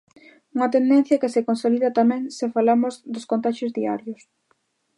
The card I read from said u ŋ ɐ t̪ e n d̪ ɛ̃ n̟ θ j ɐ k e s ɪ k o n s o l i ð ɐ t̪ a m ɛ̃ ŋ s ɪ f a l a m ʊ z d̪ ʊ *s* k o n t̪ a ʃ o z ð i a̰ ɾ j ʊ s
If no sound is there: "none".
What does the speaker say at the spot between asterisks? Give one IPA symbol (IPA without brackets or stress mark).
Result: s